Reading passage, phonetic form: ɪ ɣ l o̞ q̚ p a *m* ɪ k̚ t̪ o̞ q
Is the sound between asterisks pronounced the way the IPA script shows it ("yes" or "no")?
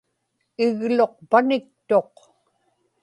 no